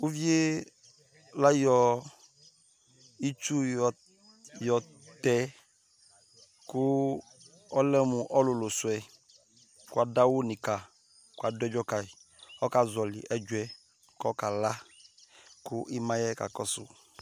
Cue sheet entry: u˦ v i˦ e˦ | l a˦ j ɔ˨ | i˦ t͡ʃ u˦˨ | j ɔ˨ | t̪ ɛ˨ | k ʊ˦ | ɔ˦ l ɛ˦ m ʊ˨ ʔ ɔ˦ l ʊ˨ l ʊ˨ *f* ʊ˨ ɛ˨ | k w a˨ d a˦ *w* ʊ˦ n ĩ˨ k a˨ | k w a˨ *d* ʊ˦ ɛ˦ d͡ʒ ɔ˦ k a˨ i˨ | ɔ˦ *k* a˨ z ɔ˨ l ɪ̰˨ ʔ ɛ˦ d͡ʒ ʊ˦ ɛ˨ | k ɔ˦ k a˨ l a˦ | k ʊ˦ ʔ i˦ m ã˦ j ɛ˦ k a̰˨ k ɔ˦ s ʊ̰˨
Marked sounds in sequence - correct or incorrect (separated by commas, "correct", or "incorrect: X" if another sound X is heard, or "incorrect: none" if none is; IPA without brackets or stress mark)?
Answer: incorrect: s, correct, correct, correct